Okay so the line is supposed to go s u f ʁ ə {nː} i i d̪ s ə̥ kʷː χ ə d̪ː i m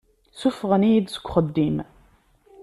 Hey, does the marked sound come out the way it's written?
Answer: no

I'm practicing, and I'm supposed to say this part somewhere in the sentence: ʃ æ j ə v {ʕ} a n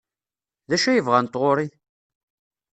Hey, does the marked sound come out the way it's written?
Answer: no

